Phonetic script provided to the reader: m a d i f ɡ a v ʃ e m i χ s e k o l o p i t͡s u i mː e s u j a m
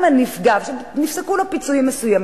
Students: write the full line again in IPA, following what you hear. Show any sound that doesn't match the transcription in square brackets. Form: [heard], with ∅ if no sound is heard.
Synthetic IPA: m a [n] i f ɡ a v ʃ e [n] i [f] s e k [u] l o p i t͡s u i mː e s u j a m